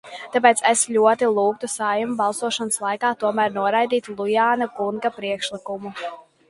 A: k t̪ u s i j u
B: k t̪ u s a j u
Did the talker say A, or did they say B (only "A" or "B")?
B